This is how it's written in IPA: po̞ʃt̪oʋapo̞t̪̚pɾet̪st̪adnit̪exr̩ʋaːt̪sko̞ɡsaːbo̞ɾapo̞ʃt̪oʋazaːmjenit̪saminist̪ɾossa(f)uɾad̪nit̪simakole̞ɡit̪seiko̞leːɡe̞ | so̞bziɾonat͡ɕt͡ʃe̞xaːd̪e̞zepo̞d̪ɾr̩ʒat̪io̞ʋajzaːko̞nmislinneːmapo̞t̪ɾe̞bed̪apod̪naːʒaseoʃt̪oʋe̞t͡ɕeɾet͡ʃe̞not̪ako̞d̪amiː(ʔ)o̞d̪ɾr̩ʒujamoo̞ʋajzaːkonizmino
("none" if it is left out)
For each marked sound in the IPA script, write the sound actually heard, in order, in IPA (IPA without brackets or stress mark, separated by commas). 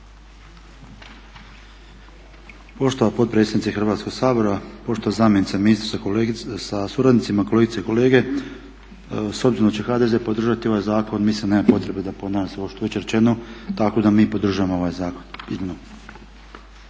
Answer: s, p